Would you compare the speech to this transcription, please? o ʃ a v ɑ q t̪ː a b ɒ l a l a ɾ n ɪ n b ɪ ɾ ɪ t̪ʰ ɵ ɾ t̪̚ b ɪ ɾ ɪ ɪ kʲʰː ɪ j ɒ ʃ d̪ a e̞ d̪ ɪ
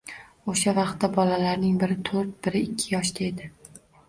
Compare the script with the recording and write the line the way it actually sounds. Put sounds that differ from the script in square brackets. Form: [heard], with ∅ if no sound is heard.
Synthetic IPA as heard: o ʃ a v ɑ q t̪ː a b ɒ l a l a ɾ n ɪ [ŋ] b ɪ ɾ ɪ t̪ʰ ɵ ɾ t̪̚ b ɪ ɾ ɪ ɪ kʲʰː ɪ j ɒ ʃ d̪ a e̞ d̪ ɪ